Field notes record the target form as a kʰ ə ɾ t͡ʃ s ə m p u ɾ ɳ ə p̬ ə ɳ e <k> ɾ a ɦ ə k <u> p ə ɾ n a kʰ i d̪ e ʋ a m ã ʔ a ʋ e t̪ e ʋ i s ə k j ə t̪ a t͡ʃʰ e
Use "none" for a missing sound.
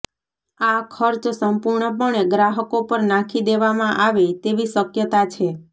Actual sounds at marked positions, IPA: ɡ, o

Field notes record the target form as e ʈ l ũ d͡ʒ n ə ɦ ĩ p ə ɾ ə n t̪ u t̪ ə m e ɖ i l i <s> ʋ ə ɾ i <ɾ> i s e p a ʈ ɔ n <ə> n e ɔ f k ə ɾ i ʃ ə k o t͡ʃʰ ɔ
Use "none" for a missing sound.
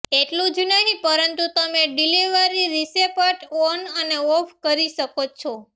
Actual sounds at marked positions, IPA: none, ɾ, ə

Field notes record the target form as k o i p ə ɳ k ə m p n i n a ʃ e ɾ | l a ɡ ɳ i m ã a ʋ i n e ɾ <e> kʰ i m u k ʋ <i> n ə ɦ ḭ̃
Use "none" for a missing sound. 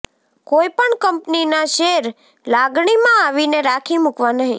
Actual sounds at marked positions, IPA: a, a

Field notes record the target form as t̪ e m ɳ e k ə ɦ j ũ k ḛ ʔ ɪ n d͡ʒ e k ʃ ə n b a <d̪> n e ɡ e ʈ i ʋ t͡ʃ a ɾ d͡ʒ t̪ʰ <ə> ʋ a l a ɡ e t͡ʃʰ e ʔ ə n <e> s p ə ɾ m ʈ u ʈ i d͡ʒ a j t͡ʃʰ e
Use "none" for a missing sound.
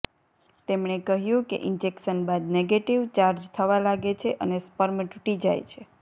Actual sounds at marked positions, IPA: d̪, ə, e

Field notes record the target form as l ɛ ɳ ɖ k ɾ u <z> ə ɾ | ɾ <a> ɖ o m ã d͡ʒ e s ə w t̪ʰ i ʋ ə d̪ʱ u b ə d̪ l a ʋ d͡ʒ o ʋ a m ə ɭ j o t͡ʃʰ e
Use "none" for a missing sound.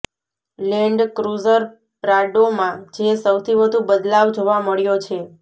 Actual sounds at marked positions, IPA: z, a

